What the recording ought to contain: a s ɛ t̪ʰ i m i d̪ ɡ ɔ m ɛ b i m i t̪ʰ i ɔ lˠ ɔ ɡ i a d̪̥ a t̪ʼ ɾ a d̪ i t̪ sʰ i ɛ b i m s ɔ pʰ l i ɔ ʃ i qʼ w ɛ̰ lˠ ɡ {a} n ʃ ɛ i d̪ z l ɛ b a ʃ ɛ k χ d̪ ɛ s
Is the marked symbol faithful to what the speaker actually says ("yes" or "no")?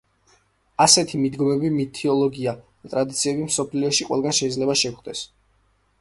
yes